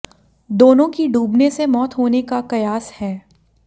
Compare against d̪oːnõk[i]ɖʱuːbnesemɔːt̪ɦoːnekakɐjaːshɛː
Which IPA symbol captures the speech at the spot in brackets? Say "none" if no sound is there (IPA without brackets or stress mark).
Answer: i